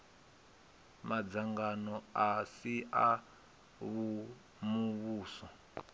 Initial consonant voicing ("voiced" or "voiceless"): voiced